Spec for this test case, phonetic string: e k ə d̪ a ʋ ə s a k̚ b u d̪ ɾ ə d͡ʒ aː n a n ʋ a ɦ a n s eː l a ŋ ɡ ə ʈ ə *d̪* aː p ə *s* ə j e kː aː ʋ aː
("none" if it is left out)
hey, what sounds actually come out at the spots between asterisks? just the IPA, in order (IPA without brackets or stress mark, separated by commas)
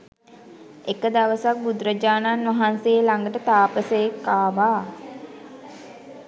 t̪, s